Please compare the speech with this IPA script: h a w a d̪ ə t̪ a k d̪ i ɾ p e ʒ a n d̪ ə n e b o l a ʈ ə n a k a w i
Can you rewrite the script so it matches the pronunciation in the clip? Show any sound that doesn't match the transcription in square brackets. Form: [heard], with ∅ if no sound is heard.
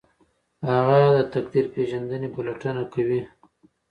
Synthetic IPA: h a [ɣ] a d̪ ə t̪ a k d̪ i ɾ p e ʒ a n d̪ ə n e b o l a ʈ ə n a k a w i